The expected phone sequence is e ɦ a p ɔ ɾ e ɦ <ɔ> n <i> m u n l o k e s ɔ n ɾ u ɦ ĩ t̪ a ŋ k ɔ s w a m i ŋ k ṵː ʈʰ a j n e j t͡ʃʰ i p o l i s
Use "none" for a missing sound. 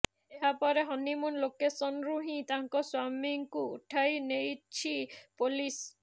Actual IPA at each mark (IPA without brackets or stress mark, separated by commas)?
ɔ, i